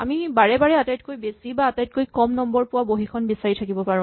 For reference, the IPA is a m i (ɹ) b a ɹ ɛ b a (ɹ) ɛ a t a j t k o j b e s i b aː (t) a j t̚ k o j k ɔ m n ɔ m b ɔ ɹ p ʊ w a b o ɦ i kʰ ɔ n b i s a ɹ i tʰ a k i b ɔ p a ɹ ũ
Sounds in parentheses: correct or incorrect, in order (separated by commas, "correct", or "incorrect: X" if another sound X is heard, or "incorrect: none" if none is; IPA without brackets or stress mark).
incorrect: none, correct, correct